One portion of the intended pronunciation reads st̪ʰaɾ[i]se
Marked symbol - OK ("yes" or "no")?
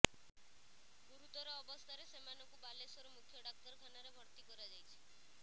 no